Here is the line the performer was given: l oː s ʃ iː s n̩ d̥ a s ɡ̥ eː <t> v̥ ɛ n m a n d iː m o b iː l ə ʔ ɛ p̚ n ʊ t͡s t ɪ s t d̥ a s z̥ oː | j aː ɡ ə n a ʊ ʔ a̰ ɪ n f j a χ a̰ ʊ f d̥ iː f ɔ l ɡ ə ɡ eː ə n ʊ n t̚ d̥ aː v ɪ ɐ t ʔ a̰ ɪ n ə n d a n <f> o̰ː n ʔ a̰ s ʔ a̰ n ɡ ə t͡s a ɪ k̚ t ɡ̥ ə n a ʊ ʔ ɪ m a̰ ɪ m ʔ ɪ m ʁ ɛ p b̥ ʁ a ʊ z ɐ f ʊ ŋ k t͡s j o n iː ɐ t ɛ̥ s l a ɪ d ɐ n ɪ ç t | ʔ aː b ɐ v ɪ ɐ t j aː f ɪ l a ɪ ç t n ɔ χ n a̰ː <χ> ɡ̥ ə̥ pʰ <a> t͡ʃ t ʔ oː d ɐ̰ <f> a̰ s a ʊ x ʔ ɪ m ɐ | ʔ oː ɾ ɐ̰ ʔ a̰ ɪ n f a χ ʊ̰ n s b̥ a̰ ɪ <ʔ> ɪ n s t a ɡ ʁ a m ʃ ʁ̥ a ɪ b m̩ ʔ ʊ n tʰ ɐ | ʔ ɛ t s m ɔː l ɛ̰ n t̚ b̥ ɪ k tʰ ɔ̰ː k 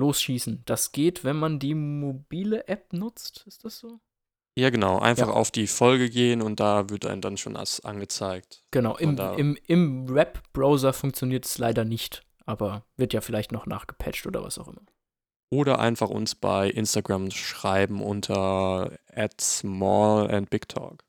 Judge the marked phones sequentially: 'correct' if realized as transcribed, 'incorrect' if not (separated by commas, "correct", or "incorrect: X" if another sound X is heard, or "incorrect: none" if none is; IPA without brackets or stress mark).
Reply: correct, incorrect: ʃ, correct, incorrect: ɛ, incorrect: v, correct